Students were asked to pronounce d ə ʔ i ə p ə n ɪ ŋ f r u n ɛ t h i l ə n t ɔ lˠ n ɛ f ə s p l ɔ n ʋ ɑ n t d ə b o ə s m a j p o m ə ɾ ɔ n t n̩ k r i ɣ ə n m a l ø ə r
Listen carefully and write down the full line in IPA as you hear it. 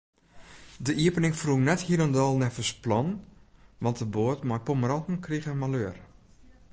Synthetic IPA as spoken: d ə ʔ i ə p ə n ɪ ŋ f r u n ɛ t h i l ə n d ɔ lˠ n ɛ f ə s p l ɔ n ʋ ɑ n t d ə b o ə t m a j p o m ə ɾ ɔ n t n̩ k r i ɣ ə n m a l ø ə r

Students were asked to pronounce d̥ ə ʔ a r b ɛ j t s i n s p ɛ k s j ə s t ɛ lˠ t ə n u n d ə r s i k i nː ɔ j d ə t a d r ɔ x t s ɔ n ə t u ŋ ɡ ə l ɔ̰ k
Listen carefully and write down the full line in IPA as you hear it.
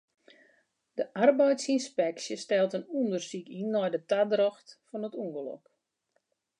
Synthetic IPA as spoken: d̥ ə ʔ a r b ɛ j t s i n s p ɛ k s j ə s t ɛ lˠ t ə n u n d ə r s i k i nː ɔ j d ə t a d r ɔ x t f ɔ n ə t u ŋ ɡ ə l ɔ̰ k

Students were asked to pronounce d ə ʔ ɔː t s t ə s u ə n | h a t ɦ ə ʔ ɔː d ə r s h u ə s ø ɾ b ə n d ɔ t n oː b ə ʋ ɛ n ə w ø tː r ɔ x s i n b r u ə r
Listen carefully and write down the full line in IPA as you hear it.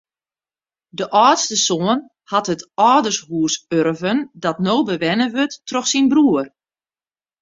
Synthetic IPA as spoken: d ə ʔ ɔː t s t ə s o ə n | h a t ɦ ə t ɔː d ə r s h u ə s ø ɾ v ə n d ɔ t n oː b ə ʋ ɛ n ə ʋ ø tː r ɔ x s i n b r u ə r

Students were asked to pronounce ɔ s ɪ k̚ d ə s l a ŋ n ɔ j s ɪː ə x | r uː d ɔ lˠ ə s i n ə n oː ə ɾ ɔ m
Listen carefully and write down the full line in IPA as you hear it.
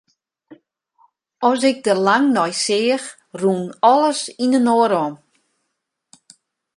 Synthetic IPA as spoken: ɔ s ɪ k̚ d ə l a ŋ n ɔ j s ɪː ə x | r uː n ɔ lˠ ə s i n ə n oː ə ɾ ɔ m

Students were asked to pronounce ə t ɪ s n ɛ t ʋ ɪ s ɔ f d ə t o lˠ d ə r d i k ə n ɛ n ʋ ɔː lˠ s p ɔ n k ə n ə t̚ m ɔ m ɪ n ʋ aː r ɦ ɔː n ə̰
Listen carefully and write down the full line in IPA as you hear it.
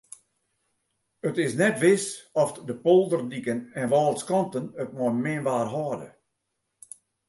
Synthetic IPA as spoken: ə t ɪ s n ɛ t ʋ ɪ s ɔ f d ə p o lˠ d ə r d i k ə n ɛ n ʋ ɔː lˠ s k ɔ n t ə n ə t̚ m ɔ m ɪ n ʋ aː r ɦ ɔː d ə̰

